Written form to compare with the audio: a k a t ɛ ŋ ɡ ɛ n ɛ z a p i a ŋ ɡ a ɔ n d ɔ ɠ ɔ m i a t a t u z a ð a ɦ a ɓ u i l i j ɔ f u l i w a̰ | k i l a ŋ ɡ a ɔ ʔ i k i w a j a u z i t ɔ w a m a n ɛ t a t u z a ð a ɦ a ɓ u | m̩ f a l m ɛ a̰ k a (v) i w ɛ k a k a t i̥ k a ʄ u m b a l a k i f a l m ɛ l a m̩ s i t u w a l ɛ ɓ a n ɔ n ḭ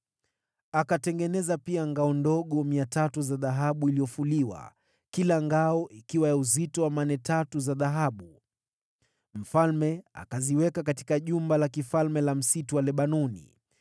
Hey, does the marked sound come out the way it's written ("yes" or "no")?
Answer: no